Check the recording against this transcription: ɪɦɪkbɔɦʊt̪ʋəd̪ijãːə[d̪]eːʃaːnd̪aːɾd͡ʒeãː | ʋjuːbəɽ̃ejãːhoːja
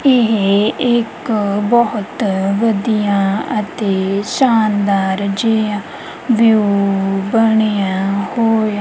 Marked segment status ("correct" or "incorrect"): incorrect